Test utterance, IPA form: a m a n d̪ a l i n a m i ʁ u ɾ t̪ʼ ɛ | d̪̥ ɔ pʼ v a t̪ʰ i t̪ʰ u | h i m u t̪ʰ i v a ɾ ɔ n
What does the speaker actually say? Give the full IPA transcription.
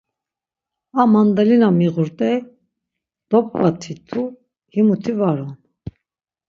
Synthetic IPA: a m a n d̪ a l i n a m i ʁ u ɾ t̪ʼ ɛ | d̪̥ ɔ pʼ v a t̪ʰ i t̪ʰ u | h i m u t̪ʰ i v a ɾ ɔ n